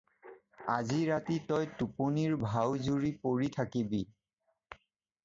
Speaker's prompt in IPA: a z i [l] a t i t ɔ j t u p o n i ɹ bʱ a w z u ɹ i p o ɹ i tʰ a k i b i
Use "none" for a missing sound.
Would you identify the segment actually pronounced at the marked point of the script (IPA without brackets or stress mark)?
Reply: ɹ